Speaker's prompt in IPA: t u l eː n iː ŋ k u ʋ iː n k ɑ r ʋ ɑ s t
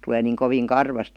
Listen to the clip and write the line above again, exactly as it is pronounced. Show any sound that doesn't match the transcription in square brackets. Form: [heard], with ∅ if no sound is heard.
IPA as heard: t u l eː n iː ŋ k [o] ʋ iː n k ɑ r ʋ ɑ s t

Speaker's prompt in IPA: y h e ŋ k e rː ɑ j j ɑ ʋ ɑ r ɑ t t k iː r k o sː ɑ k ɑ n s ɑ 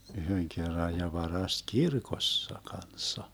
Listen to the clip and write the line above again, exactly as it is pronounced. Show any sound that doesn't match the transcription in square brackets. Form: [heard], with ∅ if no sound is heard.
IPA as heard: y h [ø] ŋ k e rː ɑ j j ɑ ʋ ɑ r ɑ [s] t k [i] r k o sː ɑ k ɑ n [sː] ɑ

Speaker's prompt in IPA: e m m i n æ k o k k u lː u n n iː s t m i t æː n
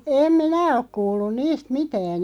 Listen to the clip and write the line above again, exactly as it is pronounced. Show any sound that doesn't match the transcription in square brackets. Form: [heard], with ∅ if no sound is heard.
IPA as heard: e m m i n æ [∅] o k k [uː] lː u n n iː s t m i t æː n

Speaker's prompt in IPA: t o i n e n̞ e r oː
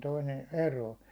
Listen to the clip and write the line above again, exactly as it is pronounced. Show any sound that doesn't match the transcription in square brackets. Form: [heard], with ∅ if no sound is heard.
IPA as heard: t o i n e n̞ e r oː

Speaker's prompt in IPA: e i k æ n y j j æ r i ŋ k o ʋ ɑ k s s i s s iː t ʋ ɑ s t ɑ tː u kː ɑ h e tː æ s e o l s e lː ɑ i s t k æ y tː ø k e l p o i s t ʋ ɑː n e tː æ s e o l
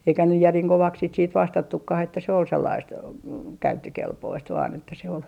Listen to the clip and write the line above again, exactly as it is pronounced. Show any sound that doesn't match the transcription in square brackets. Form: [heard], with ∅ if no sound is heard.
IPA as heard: e i k æ n y j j æ r i ŋ k o ʋ ɑ k s s i [t] s iː t ʋ ɑ s t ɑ tː u kː ɑ h e tː æ s e o l s e lː ɑ i s t k æ y tː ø k e l p o i s t ʋ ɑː n e tː æ s e o l

